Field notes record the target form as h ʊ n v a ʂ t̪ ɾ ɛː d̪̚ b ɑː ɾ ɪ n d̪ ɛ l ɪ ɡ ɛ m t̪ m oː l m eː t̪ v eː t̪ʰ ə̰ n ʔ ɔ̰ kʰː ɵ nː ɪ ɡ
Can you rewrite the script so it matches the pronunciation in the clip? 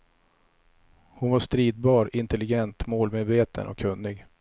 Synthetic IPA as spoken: h ʊ n v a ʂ t̪ ɾ iː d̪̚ b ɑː ɾ ɪ n t̪ ɛ l ɪ ɡ ɛ n t̪ m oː l m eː d̪ v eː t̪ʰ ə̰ n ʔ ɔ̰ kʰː ɵ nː ɪ ɡ